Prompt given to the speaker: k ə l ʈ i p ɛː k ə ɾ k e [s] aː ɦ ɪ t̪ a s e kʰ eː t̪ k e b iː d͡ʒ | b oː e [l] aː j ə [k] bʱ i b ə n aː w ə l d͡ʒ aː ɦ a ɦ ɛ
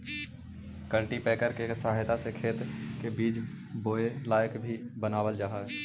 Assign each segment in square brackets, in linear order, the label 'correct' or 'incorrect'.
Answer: correct, correct, correct

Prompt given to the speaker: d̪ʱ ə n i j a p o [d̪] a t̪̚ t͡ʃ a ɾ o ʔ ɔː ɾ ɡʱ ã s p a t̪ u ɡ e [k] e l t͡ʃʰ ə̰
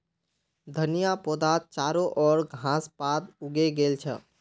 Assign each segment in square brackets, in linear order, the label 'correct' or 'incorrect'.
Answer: correct, incorrect: ɡ

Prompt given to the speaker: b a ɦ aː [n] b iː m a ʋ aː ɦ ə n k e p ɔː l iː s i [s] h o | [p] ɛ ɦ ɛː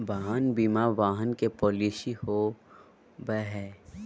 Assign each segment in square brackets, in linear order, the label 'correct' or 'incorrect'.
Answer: correct, incorrect: none, incorrect: b

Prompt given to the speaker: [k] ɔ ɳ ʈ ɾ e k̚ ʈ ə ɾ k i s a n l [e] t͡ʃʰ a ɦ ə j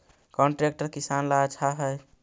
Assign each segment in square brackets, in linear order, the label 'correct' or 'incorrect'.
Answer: correct, incorrect: a

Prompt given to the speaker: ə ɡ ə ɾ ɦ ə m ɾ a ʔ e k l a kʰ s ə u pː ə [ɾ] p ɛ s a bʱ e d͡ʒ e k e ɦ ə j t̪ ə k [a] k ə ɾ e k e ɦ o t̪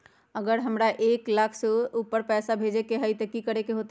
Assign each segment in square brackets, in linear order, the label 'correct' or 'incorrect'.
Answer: correct, incorrect: i

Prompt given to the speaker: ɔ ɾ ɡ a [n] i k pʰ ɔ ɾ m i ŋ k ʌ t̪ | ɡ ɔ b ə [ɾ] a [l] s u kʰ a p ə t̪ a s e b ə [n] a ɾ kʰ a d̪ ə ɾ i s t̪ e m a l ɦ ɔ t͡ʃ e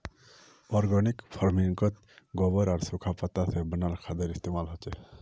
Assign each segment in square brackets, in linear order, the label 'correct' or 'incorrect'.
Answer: correct, correct, incorrect: ɾ, correct

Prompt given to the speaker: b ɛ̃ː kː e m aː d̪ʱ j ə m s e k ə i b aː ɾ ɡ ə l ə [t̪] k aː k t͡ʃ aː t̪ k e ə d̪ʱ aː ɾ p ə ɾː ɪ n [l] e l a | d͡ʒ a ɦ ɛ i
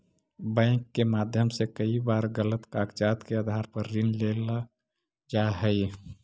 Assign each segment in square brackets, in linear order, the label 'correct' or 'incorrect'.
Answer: correct, correct

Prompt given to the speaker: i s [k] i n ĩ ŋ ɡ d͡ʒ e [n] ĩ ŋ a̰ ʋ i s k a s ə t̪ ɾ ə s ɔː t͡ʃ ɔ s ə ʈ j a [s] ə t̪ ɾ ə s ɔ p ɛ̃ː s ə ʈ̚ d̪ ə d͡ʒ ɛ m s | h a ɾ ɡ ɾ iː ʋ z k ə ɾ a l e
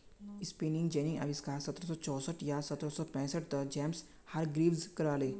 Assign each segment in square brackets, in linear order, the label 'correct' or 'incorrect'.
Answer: incorrect: p, correct, correct

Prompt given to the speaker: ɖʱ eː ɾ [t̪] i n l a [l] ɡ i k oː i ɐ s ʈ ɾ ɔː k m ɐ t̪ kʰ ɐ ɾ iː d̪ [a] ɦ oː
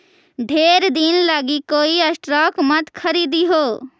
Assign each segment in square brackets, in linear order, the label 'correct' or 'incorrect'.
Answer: incorrect: d̪, incorrect: none, incorrect: i

